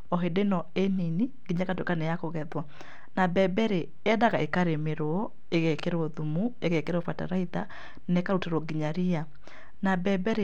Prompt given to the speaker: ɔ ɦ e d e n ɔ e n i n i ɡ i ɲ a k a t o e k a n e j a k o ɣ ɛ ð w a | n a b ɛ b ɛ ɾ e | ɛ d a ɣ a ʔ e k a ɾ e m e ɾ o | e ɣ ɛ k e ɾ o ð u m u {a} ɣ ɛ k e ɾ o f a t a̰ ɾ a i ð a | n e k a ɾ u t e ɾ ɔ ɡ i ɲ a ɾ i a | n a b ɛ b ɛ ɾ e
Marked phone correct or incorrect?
incorrect